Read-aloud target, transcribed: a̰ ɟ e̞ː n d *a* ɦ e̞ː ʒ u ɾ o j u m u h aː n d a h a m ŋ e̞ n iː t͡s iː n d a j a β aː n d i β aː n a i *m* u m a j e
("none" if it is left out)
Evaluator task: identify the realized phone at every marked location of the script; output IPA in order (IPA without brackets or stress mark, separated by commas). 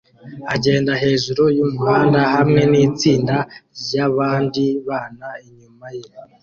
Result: a, ɲ